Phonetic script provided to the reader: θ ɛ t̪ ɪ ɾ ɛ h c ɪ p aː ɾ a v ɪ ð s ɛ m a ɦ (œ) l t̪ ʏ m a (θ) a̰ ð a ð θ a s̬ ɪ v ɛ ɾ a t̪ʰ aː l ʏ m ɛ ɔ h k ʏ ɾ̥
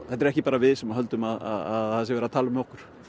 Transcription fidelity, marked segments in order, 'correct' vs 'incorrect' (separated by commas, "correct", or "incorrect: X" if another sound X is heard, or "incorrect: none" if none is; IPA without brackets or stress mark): correct, incorrect: ð